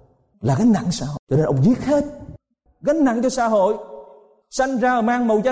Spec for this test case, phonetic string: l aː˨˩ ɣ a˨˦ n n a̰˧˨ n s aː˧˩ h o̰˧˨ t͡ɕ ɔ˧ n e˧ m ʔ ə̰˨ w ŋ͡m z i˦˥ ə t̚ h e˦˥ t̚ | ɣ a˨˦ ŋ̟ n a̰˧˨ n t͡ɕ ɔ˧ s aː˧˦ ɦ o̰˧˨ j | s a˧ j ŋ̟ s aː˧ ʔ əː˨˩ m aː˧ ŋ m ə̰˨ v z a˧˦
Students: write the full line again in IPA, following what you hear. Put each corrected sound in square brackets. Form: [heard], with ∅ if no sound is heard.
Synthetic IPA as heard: l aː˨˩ ɣ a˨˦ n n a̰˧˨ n s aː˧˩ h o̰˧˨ t͡ɕ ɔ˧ n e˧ [n] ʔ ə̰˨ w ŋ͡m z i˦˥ ə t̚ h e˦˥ t̚ | ɣ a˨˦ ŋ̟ n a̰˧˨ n t͡ɕ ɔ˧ s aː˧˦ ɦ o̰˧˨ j | s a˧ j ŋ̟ [z] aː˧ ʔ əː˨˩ m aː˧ ŋ m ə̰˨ [w] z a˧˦